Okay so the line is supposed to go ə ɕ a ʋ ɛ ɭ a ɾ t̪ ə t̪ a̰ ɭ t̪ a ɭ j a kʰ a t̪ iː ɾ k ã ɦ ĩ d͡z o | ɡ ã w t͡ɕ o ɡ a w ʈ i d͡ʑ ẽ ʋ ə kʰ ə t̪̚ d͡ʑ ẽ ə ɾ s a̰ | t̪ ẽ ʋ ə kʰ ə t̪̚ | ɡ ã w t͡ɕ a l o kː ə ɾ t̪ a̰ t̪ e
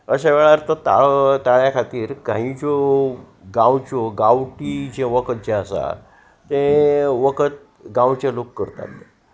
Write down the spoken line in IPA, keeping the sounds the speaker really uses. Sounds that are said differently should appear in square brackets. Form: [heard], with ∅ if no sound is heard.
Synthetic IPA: ə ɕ a ʋ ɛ ɭ a ɾ t̪ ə t̪ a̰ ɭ t̪ a ɭ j a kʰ a t̪ iː ɾ k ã ɦ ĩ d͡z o | ɡ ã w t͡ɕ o ɡ a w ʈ i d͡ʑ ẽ ʋ ə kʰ ə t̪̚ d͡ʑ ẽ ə [∅] s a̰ | t̪ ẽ ʋ ə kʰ ə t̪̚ | ɡ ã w t͡ɕ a l o kː ə ɾ t̪ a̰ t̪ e